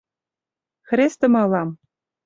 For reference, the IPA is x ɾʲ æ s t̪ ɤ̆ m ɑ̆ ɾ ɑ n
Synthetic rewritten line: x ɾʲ e s t̪ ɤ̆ m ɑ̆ l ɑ m